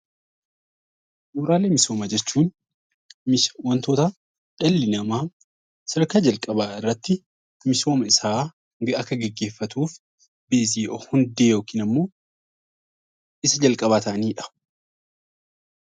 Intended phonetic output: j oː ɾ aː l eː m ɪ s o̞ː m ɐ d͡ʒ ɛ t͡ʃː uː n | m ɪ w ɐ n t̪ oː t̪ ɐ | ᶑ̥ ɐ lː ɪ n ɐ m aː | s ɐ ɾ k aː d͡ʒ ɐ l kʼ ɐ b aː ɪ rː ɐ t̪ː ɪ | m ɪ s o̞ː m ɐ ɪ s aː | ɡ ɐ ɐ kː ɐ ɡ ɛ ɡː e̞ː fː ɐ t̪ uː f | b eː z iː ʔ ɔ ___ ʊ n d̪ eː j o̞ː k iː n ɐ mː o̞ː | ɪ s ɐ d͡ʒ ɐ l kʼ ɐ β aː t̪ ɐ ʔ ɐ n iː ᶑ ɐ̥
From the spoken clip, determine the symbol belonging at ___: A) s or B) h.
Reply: B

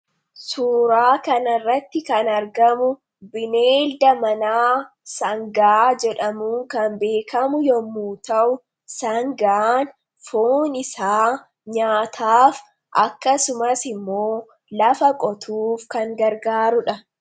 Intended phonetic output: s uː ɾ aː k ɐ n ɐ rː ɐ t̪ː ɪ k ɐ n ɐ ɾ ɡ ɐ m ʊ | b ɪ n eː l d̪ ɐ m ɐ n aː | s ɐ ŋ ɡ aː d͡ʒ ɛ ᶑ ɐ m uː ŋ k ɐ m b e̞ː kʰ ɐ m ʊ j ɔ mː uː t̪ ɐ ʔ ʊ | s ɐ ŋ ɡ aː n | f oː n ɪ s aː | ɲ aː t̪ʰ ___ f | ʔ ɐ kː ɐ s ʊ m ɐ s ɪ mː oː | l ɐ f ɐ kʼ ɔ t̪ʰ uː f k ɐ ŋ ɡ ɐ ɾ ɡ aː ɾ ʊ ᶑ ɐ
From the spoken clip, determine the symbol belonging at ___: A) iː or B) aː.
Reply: B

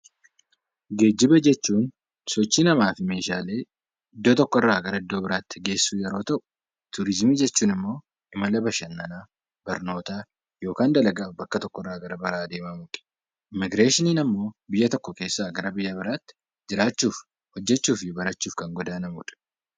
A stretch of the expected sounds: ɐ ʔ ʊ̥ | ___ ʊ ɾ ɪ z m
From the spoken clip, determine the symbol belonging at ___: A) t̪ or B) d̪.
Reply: A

